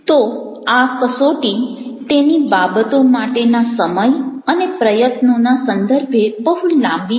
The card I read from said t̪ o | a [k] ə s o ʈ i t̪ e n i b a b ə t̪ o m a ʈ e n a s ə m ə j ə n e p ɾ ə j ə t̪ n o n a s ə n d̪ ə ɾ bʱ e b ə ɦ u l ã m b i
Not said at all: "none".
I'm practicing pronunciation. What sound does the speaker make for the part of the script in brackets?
k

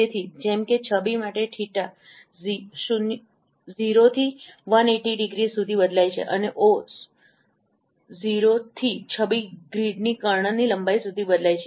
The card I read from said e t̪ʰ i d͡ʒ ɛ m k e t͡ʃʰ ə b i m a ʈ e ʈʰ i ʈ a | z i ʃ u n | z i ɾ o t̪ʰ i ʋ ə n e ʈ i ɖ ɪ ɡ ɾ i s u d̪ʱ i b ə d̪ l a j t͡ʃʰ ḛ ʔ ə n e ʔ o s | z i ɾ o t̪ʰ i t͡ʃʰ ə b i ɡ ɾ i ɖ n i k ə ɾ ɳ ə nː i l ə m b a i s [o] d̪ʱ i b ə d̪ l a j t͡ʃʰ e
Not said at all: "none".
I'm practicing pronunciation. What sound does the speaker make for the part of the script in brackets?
u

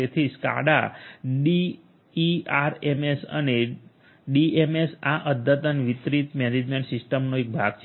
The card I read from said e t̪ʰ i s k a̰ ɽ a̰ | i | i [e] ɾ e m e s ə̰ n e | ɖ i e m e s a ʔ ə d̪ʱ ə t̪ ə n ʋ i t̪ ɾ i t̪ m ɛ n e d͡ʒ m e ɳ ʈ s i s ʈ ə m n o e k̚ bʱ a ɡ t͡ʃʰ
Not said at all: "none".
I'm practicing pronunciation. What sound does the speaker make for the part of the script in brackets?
a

